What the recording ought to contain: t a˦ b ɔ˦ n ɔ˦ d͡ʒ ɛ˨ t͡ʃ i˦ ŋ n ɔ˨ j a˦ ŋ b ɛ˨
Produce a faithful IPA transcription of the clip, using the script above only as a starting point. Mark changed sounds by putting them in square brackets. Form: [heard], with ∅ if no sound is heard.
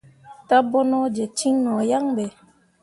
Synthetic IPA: t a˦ b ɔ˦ n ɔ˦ d͡ʒ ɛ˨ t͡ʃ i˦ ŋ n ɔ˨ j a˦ ŋ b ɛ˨